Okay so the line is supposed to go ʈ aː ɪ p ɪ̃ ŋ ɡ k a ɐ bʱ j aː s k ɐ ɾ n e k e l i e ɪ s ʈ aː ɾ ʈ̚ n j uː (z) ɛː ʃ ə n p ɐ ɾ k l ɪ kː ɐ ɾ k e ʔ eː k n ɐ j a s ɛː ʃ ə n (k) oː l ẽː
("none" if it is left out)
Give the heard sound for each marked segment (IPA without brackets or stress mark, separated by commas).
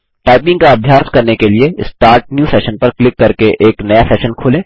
s, kʰ